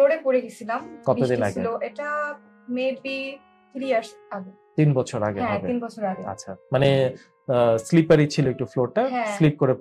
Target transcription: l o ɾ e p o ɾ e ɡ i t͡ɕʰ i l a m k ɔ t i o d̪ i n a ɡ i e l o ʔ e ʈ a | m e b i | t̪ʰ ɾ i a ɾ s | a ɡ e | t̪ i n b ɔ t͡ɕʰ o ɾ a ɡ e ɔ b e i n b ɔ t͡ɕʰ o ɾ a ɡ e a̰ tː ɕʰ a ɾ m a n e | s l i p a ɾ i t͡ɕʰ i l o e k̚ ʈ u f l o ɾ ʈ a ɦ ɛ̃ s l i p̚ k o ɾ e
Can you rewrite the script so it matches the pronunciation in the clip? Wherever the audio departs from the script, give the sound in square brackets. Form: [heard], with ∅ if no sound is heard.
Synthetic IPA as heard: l o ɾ e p o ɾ e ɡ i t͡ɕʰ i l a m k ɔ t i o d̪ i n a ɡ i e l o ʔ e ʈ a | m e b i | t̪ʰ ɾ i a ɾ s | a ɡ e | t̪ i n b ɔ t͡ɕʰ o ɾ a ɡ e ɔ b e i n b ɔ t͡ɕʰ o ɾ a ɡ e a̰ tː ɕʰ a [∅] m a n e | s l i p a ɾ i t͡ɕʰ i l o e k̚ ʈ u f l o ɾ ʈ a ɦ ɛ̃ s l i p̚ k o ɾ e